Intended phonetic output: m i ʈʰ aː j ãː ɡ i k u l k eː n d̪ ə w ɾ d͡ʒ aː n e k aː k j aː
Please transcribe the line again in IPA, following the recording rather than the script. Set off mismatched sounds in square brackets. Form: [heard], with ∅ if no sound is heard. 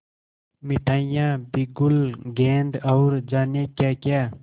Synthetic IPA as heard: m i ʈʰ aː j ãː [b] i [ɡ] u l [ɡ] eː n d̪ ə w ɾ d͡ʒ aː n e k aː k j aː

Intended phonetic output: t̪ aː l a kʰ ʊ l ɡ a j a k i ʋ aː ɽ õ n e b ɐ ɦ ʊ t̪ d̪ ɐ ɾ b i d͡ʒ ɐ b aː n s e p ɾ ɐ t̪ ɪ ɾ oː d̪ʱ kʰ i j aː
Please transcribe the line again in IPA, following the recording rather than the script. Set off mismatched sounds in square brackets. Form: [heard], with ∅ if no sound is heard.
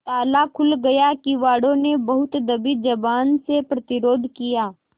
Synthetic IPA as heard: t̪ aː l a kʰ ʊ l ɡ [ɐ] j a k i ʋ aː ɽ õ n e b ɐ ɦ ʊ t̪ d̪ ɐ [∅] b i d͡ʒ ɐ b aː n s e p ɾ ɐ t̪ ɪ ɾ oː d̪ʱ [k] i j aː

